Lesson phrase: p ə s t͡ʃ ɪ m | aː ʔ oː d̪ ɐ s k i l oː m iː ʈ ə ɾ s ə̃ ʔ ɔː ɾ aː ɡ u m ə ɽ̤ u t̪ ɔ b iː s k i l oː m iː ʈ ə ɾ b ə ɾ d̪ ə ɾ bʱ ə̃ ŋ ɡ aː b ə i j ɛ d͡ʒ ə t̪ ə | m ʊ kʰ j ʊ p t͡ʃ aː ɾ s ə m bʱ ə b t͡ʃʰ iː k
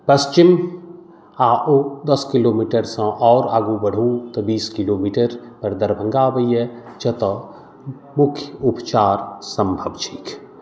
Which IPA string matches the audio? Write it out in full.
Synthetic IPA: p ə s t͡ʃ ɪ m | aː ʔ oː d̪ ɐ s k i l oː m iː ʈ ə ɾ s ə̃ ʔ ɔː ɾ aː ɡ u b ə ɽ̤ u t̪ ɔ b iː s k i l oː m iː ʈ ə ɾ p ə ɾ d̪ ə ɾ bʱ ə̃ ŋ ɡ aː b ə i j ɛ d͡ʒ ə t̪ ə | m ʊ kʰ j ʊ p t͡ʃ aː ɾ s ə m bʱ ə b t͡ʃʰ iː k